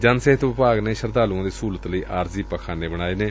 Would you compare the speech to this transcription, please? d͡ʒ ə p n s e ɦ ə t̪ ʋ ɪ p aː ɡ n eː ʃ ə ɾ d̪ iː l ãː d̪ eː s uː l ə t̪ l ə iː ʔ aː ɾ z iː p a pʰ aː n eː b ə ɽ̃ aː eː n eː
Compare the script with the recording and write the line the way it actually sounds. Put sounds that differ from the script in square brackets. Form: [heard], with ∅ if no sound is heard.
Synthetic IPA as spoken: d͡ʒ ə [∅] n s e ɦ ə t̪ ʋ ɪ p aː ɡ n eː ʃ ə ɾ d̪ [aː] l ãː d̪ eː s uː l ə t̪ l ə iː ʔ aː ɾ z iː p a [kʰ] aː n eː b ə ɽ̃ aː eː n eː